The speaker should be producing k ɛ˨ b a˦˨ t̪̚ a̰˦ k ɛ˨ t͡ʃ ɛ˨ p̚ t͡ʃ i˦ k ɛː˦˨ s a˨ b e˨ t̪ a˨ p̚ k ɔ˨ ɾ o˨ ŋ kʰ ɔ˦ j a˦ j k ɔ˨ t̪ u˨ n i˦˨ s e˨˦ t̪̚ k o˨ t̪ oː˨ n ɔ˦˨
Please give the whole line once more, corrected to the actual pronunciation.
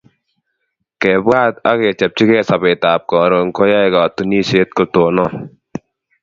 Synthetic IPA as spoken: k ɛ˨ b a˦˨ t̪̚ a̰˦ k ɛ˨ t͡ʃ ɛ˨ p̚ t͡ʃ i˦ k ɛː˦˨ s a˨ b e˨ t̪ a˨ p̚ k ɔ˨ ɾ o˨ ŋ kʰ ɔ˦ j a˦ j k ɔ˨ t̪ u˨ n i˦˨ s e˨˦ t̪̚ k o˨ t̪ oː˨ n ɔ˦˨